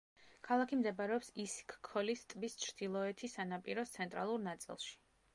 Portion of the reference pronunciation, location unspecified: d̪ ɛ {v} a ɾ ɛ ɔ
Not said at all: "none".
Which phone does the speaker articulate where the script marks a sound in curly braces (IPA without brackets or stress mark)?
b